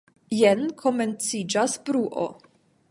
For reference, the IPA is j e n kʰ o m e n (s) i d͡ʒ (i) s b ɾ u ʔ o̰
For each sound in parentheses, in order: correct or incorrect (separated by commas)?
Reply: incorrect, incorrect